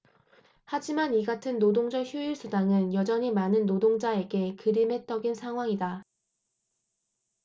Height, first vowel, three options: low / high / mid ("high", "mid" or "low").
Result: low